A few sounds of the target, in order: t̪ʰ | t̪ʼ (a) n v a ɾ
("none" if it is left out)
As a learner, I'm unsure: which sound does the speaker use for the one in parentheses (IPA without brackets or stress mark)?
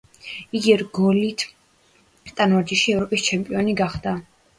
a